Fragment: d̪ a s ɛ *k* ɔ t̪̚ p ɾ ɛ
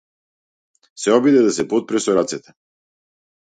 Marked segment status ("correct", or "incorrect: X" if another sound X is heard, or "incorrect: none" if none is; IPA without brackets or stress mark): incorrect: p